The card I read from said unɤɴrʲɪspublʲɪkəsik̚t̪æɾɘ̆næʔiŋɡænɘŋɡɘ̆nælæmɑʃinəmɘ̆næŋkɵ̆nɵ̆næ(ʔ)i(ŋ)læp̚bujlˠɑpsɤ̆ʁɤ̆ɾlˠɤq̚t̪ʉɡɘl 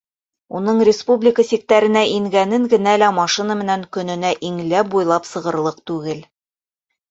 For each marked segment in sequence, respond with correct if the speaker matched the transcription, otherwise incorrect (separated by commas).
correct, correct